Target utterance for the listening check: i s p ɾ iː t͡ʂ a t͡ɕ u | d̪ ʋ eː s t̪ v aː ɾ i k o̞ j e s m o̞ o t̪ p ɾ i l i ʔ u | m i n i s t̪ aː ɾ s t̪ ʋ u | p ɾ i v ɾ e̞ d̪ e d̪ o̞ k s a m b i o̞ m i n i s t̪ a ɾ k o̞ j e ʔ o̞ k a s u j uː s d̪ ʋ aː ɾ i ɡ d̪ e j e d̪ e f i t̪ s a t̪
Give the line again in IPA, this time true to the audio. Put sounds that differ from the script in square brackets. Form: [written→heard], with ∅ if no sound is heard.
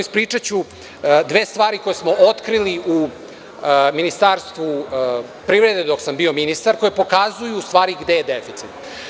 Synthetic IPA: i s p ɾ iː t͡ʂ a t͡ɕ u | d̪ ʋ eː s t̪ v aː ɾ i k o̞ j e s m o̞ o t̪ [p→k] ɾ i l i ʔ u | m i n i s t̪ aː ɾ s t̪ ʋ u | p ɾ i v ɾ e̞ d̪ e d̪ o̞ k s a m b i o̞ m i n i s t̪ a ɾ k o̞ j e [ʔ→p] o̞ k a [s→z] u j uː s [d̪→t̪] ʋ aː ɾ i ɡ d̪ e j e d̪ e f i t̪ s [a→i] t̪

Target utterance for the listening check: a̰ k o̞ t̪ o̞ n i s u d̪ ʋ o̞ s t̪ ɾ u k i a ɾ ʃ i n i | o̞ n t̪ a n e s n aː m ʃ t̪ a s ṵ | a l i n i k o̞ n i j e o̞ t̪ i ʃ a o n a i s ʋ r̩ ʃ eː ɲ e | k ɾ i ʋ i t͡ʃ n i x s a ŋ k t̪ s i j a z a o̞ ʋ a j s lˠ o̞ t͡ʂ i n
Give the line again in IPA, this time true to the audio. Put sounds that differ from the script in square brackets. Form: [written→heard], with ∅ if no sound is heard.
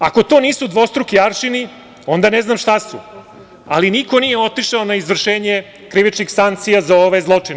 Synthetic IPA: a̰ k o̞ t̪ o̞ n [i→iː] s u d̪ ʋ o̞ s t̪ ɾ u k i a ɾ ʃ i n i | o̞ n [t̪→d̪] a n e [s→z] n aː m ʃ t̪ a s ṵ | a l i n i k o̞ n i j e o̞ t̪ i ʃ a o n a i [s→z] ʋ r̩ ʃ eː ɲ e | k ɾ i ʋ i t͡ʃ n i x s a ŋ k t̪ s i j a z a o̞ ʋ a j [s→z] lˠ o̞ t͡ʂ i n

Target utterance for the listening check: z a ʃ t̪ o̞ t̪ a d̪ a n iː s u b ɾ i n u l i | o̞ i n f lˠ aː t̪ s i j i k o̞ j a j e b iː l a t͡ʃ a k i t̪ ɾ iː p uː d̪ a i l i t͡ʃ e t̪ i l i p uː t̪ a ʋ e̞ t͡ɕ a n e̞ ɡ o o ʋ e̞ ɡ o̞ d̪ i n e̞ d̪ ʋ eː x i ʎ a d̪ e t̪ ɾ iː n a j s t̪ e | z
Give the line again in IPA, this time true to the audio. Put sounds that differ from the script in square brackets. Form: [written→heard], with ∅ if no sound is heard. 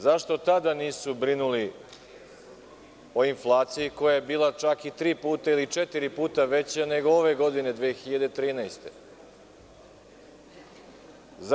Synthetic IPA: z a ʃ t̪ o̞ t̪ a d̪ a n iː s u b ɾ i n u l i | o̞ i n f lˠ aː t̪ s i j i k o̞ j a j e b iː l a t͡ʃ a k i t̪ ɾ iː p uː [d̪→t̪] a i l i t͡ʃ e t̪ i [l→ɾ] i p uː t̪ a ʋ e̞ t͡ɕ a n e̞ ɡ o o ʋ e̞ ɡ o̞ d̪ i n e̞ d̪ ʋ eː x i ʎ a d̪ e t̪ ɾ iː n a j s t̪ e | z

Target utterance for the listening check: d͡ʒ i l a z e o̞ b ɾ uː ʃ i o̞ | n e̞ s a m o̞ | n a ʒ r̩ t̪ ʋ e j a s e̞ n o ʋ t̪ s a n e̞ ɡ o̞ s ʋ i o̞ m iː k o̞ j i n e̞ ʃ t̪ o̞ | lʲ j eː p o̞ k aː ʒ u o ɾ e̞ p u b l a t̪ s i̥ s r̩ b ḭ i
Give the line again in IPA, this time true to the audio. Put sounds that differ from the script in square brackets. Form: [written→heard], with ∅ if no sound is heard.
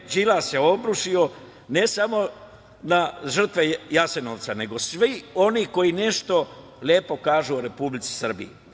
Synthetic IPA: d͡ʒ i l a [z→s] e o̞ b ɾ [uː→u] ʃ i o̞ | n e̞ s a m o̞ | n a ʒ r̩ t̪ ʋ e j a s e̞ n o ʋ t̪ s a n e̞ ɡ o̞ s ʋ i o̞ [m→n] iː k o̞ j i n e̞ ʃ t̪ o̞ | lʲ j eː p o̞ k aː ʒ u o ɾ e̞ p u b l [a→i] t̪ s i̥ s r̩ b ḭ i

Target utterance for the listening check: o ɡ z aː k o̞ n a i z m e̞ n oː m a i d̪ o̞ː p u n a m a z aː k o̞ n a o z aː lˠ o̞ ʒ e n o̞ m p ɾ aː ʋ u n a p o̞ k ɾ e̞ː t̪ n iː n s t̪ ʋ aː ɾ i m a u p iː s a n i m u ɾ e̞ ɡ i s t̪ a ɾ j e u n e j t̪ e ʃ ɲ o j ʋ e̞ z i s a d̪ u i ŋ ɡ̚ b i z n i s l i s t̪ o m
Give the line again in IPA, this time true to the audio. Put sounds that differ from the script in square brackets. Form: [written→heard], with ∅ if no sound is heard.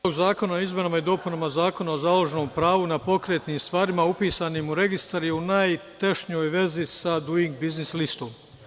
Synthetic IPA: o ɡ z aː k o̞ n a i z m e̞ n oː m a i d̪ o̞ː p u n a m a z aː k o̞ n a o z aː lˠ o̞ ʒ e n o̞ m p ɾ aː ʋ u n a p o̞ k ɾ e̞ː t̪ n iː [n→m] s t̪ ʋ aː ɾ i m a u p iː s a n i m u ɾ e̞ ɡ i s t̪ a ɾ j e u n [e→a] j t̪ e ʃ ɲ o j ʋ e̞ z i s a d̪ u i ŋ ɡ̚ b i z n i s l i s t̪ o m

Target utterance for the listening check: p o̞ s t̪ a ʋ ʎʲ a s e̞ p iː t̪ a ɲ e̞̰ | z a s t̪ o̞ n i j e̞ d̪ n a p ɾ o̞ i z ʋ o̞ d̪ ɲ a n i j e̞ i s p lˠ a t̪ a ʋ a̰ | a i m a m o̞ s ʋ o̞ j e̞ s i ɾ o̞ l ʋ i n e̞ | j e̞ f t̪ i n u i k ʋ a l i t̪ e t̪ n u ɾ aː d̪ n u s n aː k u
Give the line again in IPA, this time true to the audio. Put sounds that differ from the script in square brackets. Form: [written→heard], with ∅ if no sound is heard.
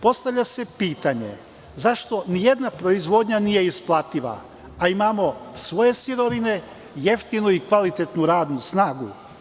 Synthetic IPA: p o̞ s t̪ a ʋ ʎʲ a s e̞ p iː t̪ a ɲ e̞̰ | z a [s→ʃ] t̪ o̞ n i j e̞ d̪ n a p ɾ o̞ i z ʋ o̞ d̪ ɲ a n i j e̞ i s p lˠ a t̪ [a→i] ʋ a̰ | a i m a m o̞ s ʋ o̞ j e̞ s i ɾ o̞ [l→∅] ʋ i n e̞ | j e̞ f t̪ i n u i k ʋ a l i t̪ e t̪ n u ɾ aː d̪ n u s n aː [k→ɡ] u

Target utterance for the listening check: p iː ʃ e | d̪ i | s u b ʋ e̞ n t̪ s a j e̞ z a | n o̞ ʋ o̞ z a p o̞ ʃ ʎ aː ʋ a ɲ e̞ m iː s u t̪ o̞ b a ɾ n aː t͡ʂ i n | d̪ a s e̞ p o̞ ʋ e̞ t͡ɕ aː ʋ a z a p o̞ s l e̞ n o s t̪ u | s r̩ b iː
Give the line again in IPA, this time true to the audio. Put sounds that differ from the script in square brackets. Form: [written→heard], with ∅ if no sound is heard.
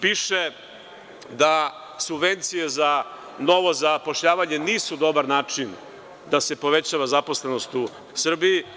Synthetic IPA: p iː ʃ e | d̪ [i→a] | s u b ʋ e̞ n t̪ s [a→i] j e̞ z a | n o̞ ʋ o̞ z a p o̞ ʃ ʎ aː ʋ a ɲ e̞ [m→n] iː s u [t̪→d̪] o̞ b a ɾ n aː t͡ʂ i n | d̪ a s e̞ p o̞ ʋ e̞ t͡ɕ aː ʋ a z a p o̞ s l e̞ n o s t̪ u | s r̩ b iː

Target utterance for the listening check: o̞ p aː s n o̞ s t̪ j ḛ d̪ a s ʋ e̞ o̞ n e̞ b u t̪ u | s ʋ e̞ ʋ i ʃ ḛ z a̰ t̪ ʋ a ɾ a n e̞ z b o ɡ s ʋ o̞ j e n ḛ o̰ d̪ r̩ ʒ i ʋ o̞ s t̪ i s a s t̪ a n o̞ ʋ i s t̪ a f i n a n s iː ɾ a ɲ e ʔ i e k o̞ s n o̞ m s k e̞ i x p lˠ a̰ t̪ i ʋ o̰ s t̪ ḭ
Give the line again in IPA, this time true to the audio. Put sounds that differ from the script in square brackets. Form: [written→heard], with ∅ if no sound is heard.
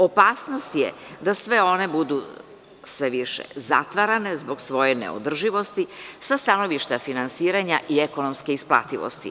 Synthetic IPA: o̞ p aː s n o̞ s t̪ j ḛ d̪ a s ʋ e̞ o̞ n e̞ b u [t̪→d̪] u | s ʋ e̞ ʋ i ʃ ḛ z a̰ t̪ ʋ a ɾ a n e̞ z b o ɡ s ʋ o̞ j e n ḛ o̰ d̪ r̩ ʒ i ʋ o̞ s t̪ i s a s t̪ a n o̞ ʋ i [s→ʃ] t̪ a f i n a n s iː ɾ a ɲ [e→a] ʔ i e k o̞ [s→∅] n o̞ m s k e̞ i [x→s] p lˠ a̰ t̪ i ʋ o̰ s t̪ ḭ

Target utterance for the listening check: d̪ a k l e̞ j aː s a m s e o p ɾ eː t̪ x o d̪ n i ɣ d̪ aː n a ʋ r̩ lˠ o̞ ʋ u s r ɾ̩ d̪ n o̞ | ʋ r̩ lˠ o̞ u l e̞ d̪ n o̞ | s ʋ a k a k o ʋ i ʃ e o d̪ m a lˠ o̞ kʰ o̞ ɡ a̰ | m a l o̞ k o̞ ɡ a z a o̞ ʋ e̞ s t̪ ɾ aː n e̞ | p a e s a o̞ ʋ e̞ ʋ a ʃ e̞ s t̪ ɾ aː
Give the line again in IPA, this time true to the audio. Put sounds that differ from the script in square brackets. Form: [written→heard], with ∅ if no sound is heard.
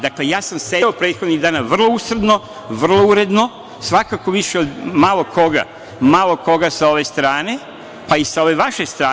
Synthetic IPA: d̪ a k l e̞ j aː s a m s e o p ɾ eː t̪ x o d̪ n i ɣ d̪ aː n a ʋ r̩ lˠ o̞ [ʋ→∅] u s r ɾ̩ d̪ n o̞ | ʋ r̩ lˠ o̞ u [l→ɾ] e̞ d̪ n o̞ | s ʋ a k a k o ʋ i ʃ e o d̪ m a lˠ o̞ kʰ o̞ ɡ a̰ | m a l o̞ k o̞ ɡ a [z→s] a o̞ ʋ e̞ s t̪ ɾ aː n e̞ | p a [e→i] s a o̞ ʋ e̞ ʋ a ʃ e̞ s t̪ ɾ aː

